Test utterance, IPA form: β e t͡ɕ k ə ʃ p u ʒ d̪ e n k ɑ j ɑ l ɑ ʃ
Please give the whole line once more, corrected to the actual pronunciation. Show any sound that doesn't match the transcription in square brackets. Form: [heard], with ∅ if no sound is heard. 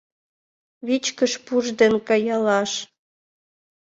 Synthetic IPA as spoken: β [i] t͡ɕ k ə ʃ p u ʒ d̪ e n k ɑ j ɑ l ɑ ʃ